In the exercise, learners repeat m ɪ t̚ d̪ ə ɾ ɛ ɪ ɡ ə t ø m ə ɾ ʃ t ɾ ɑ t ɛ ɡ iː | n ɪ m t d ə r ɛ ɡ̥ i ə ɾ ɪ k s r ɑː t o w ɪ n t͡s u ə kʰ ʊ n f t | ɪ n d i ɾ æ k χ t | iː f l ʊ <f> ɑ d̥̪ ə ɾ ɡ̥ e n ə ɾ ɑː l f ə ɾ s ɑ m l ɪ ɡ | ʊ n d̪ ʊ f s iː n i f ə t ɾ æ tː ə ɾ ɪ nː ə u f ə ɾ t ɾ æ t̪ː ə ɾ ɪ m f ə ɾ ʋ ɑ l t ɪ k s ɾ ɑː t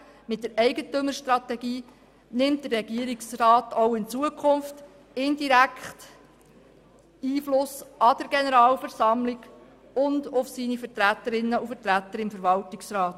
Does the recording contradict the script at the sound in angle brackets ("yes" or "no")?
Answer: yes